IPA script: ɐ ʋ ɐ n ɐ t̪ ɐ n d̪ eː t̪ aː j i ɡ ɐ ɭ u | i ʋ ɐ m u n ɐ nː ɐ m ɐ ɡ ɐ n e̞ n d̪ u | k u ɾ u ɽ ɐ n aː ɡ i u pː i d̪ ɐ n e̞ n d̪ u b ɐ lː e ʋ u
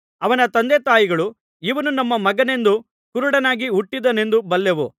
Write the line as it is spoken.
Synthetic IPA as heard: ɐ ʋ ɐ n ɐ t̪ ɐ n d̪ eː t̪ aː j i ɡ ɐ ɭ u | i ʋ ɐ n u n ɐ mː ɐ m ɐ ɡ ɐ n e̞ n d̪ u | k u ɾ u ɽ ɐ n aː ɡ i u ʈː i d̪ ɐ n e̞ n d̪ u b ɐ lː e ʋ u

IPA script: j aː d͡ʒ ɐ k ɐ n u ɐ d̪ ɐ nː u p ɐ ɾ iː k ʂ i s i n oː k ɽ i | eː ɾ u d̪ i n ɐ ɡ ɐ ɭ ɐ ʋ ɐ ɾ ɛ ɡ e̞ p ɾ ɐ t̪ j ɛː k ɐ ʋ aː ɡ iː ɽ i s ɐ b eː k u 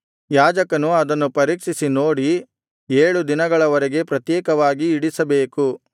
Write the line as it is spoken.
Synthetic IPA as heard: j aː d͡ʒ ɐ k ɐ n u ɐ d̪ ɐ nː u p ɐ ɾ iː k ʂ i s i n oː ɽ i | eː ɭ u d̪ i n ɐ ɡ ɐ ɭ ɐ ʋ ɐ ɾ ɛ ɡ e̞ p ɾ ɐ t̪ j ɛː k ɐ ʋ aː ɡ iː ɽ i s ɐ b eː k u

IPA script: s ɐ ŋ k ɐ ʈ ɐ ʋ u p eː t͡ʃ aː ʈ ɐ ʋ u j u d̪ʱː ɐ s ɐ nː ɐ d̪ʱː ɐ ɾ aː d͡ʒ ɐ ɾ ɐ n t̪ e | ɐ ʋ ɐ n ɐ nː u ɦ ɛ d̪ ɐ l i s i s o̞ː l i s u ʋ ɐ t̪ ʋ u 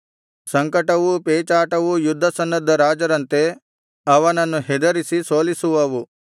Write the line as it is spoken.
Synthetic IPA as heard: s ɐ ŋ k ɐ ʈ ɐ ʋ u p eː t͡ʃ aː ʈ ɐ ʋ u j u d̪ʱː ɐ s ɐ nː ɐ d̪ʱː ɐ ɾ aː d͡ʒ ɐ ɾ ɐ n t̪ e | ɐ ʋ ɐ n ɐ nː u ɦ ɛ d̪ ɐ ɾ i s i s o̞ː l i s u ʋ ɐ ʋ u

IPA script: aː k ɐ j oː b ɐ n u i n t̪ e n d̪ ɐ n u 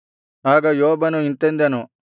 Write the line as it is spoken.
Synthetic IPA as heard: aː ɡ ɐ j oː b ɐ n u i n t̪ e n d̪ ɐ n u

